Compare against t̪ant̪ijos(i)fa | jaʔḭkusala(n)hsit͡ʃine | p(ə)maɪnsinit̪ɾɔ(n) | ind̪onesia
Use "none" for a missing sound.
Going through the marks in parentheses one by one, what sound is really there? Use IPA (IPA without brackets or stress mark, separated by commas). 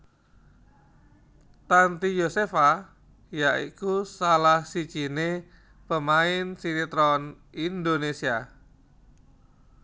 e, none, ə, n